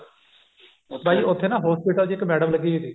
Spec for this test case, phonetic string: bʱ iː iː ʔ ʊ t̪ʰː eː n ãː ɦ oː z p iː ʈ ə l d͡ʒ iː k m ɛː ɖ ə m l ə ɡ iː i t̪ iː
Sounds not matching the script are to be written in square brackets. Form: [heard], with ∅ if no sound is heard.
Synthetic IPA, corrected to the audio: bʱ [aː] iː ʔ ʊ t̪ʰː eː n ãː ɦ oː [s] p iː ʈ ə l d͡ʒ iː k m ɛː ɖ ə m l ə ɡ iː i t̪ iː